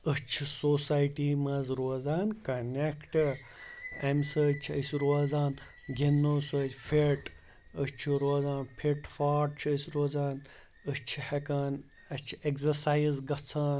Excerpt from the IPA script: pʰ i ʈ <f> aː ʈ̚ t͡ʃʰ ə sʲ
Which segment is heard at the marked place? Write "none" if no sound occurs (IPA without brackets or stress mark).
f